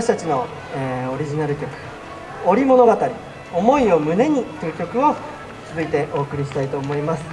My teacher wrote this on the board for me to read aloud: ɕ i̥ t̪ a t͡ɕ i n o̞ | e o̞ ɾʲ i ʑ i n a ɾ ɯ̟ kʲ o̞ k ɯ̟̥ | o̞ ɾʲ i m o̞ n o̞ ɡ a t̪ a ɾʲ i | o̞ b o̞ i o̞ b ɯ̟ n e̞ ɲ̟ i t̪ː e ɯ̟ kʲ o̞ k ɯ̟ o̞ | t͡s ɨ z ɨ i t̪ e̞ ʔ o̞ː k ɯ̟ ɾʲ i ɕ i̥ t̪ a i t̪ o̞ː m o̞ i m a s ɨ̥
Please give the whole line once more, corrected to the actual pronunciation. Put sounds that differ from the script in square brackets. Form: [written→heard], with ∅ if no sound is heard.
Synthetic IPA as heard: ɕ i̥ t̪ a t͡ɕ i n o̞ | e o̞ ɾʲ i ʑ i n a ɾ ɯ̟ kʲ o̞ k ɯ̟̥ | o̞ ɾʲ i m o̞ n o̞ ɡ a t̪ a ɾʲ i | o̞ [b→m] o̞ i o̞ [b→m] ɯ̟ n e̞ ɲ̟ i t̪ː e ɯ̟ kʲ o̞ k ɯ̟ o̞ | t͡s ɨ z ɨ i t̪ e̞ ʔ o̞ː k ɯ̟ ɾʲ i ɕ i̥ t̪ a i t̪ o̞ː m o̞ i m a s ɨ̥